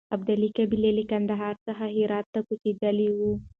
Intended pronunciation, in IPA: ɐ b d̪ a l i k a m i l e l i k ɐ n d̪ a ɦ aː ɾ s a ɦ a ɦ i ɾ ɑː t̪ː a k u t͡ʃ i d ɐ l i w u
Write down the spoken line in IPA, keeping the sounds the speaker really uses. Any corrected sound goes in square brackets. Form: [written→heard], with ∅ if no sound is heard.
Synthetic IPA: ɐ b d̪ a l i k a [m→b] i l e l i k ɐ n d̪ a ɦ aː ɾ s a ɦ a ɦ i ɾ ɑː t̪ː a k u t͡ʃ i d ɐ l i w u